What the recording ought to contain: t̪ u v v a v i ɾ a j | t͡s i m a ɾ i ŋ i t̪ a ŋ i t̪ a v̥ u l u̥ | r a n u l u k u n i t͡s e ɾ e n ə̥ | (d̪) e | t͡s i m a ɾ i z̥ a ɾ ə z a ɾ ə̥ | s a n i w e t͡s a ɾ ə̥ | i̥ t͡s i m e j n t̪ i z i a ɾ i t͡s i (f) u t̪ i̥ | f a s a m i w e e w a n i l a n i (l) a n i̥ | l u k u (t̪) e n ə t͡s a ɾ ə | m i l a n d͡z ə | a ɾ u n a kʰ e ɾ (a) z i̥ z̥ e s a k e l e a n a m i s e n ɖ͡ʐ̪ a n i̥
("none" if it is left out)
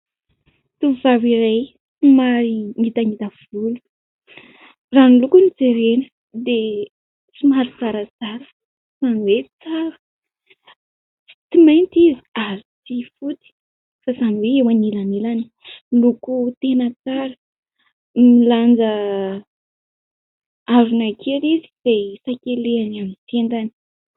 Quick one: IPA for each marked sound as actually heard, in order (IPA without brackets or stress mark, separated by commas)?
d̪, f, l, t̪, i